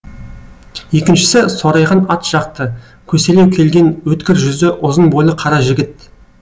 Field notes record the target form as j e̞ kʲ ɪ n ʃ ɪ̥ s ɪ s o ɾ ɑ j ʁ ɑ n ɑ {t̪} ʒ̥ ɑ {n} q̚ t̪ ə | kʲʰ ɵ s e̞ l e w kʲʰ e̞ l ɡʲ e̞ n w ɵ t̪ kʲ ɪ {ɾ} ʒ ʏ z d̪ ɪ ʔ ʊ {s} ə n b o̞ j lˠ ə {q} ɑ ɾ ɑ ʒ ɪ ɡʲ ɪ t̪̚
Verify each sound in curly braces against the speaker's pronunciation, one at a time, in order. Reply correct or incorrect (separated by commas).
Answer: correct, incorrect, correct, incorrect, incorrect